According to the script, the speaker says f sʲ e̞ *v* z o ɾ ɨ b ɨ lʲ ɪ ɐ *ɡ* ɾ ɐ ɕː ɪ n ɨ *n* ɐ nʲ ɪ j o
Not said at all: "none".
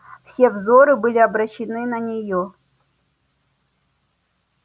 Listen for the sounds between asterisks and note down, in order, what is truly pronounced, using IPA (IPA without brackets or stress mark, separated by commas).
v, b, n